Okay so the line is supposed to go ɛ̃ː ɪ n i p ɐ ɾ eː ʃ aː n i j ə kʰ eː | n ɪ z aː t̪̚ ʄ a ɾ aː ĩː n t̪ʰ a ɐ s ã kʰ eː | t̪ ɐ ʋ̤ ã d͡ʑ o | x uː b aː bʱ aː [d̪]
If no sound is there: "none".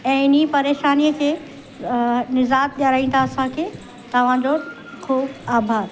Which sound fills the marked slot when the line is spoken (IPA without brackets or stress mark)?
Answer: d̪